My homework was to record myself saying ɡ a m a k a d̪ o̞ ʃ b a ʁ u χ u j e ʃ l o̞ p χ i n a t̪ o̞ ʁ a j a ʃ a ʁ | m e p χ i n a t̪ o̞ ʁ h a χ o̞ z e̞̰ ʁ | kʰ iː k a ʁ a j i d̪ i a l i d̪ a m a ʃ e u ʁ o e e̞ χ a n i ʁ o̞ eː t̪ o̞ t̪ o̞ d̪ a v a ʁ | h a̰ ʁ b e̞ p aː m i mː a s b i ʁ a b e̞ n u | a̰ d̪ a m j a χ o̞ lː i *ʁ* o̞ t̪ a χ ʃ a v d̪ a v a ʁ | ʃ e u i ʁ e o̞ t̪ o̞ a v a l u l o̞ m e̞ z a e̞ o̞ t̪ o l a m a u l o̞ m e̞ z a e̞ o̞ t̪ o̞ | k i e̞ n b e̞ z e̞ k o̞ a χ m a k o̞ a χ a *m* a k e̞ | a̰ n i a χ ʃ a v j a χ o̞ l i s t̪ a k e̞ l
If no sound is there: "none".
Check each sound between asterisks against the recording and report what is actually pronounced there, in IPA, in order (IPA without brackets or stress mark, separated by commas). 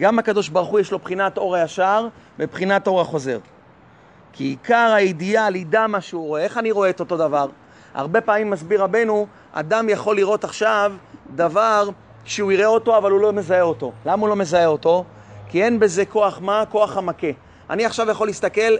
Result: ʁ, m